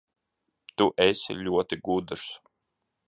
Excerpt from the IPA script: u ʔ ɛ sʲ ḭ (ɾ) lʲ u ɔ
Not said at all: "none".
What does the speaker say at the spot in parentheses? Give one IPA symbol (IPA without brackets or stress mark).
none